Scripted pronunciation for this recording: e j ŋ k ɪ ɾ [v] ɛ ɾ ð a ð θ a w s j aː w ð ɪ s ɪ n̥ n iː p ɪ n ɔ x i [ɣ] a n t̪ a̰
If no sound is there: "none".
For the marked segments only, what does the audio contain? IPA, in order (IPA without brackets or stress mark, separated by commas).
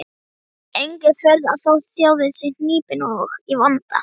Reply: f, v